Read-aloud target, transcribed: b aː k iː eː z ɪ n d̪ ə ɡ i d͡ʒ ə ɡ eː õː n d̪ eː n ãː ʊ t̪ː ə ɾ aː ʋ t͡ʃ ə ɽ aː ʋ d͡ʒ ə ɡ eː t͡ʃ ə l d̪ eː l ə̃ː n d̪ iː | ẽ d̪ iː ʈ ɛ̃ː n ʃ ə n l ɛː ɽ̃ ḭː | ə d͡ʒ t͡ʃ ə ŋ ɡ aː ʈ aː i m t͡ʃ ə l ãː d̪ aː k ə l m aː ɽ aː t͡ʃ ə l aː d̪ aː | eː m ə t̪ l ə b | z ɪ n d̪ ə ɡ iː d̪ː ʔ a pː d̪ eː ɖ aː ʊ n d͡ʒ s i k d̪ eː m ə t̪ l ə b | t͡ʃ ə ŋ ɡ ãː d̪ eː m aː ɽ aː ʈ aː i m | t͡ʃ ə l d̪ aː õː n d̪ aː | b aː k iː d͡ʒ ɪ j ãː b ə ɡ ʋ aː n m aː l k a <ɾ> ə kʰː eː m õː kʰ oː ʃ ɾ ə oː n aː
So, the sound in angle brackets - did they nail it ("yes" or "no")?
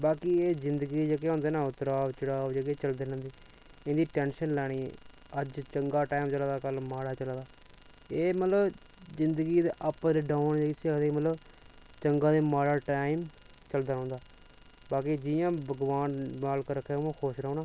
yes